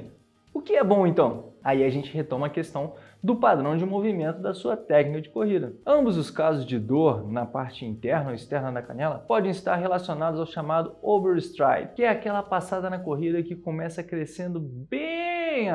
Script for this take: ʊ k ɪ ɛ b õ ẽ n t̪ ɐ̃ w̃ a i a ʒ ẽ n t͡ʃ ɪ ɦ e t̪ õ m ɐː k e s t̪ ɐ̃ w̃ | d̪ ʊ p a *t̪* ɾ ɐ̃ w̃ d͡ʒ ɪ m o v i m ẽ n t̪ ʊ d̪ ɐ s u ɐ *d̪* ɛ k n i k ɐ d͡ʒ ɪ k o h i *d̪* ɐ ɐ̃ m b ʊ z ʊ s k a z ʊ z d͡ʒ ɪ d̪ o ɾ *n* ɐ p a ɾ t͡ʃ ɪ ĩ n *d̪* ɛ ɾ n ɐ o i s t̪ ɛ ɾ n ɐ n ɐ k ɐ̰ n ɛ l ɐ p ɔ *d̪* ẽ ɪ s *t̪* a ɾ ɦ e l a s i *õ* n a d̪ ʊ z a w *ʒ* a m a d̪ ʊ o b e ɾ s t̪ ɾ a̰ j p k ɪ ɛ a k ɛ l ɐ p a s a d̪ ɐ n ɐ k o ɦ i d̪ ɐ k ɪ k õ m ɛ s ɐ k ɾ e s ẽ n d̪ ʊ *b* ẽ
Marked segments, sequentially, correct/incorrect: incorrect, incorrect, correct, correct, incorrect, correct, correct, incorrect, incorrect, correct

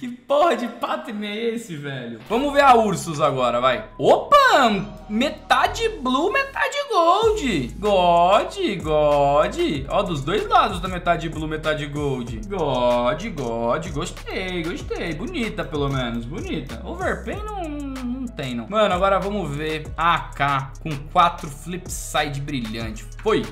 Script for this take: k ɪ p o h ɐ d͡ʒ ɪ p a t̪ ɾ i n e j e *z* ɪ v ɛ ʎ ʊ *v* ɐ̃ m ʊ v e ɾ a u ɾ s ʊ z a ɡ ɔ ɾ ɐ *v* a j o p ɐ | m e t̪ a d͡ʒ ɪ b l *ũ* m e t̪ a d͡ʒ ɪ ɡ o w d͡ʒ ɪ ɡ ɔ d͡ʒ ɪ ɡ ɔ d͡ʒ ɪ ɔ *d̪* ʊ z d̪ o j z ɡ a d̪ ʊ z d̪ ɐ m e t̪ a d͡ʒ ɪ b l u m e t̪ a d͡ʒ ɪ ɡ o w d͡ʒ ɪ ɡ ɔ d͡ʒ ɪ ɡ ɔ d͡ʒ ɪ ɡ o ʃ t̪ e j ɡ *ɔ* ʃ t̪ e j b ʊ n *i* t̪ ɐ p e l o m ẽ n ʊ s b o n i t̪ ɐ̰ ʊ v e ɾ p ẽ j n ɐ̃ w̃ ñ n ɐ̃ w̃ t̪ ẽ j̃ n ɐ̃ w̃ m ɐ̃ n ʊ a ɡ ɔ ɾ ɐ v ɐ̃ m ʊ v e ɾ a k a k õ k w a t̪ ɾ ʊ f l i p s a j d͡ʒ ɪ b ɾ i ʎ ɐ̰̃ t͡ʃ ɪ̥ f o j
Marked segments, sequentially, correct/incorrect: incorrect, correct, correct, incorrect, correct, incorrect, correct

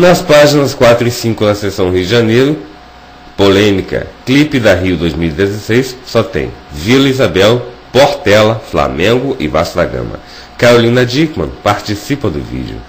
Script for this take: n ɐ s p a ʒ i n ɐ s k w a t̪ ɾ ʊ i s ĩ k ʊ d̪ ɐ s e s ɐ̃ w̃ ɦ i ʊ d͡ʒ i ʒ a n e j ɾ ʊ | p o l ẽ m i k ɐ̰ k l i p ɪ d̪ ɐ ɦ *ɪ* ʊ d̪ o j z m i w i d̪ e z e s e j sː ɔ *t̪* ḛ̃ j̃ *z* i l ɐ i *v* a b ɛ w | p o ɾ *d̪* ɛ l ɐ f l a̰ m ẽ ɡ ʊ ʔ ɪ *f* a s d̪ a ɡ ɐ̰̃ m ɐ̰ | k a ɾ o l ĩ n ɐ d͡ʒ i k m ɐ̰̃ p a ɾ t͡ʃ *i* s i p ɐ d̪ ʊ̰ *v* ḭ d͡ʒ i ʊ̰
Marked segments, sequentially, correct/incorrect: incorrect, correct, incorrect, incorrect, incorrect, incorrect, correct, correct

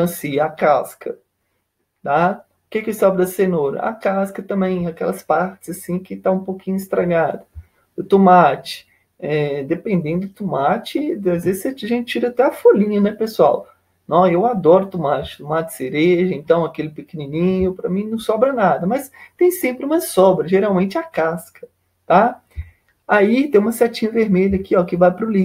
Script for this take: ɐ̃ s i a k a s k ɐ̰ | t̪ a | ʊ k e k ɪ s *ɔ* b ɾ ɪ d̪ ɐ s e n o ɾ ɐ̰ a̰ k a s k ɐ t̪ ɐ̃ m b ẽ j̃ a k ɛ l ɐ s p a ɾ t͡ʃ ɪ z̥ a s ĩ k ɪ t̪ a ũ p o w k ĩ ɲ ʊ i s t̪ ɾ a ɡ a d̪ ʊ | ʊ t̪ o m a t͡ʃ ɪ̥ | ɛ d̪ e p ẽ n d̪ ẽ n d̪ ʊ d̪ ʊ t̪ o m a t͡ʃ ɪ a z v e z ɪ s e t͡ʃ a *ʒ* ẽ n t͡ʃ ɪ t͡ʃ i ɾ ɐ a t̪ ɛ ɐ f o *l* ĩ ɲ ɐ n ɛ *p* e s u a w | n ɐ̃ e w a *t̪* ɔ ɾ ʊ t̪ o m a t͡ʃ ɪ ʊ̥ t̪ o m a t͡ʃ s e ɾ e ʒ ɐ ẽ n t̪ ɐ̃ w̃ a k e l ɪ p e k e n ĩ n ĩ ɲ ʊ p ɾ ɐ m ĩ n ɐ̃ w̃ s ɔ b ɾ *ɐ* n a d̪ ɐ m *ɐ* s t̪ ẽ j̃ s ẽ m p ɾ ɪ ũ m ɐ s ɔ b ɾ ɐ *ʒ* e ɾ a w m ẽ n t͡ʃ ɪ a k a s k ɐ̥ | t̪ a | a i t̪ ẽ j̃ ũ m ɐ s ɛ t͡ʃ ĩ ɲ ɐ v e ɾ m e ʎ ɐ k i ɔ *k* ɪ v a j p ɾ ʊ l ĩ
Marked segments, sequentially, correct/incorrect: correct, correct, correct, correct, incorrect, correct, correct, correct, correct

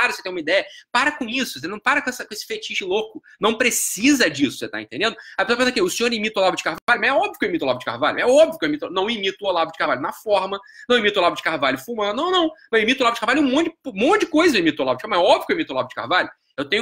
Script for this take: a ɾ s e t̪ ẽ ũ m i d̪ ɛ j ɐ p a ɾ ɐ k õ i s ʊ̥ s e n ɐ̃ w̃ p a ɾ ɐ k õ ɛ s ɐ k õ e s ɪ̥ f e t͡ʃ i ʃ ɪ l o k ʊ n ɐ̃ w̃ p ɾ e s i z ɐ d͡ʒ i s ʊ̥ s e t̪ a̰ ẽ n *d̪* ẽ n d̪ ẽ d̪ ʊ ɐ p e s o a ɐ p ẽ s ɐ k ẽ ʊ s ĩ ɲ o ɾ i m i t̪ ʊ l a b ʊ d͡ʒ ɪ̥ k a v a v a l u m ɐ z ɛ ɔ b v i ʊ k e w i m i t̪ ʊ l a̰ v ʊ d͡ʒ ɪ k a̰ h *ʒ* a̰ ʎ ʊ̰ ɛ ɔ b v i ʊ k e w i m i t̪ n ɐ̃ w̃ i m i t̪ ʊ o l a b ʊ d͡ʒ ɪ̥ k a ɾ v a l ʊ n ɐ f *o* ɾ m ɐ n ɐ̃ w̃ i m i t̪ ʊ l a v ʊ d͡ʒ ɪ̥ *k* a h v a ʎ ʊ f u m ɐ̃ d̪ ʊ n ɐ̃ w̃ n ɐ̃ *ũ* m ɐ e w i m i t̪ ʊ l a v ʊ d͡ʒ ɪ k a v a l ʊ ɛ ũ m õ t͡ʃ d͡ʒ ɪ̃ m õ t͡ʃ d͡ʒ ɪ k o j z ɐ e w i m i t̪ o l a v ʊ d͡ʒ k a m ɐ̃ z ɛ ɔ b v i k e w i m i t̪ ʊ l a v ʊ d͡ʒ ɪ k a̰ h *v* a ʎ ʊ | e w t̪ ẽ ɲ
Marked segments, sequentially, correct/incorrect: incorrect, incorrect, incorrect, correct, incorrect, correct

